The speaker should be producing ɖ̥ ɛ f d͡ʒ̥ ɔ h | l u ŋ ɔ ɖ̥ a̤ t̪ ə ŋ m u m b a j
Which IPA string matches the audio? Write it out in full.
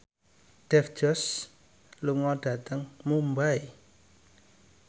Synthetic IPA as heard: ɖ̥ ɛ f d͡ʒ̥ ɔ s | l u ŋ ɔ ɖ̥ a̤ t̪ ə ŋ m u m b a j